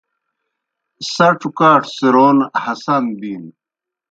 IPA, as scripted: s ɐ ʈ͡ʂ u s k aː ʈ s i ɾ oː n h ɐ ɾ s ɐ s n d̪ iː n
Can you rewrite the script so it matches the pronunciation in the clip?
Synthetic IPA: s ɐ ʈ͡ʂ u k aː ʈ s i ɾ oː n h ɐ s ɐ n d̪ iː n